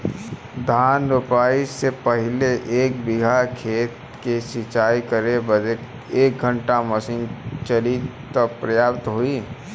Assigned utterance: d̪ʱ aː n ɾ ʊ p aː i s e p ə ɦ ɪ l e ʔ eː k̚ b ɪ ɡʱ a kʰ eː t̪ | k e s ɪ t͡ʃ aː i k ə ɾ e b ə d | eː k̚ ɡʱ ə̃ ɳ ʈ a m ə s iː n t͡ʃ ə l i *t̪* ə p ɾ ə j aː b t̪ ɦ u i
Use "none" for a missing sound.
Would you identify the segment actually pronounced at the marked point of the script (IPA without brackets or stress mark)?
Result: t̪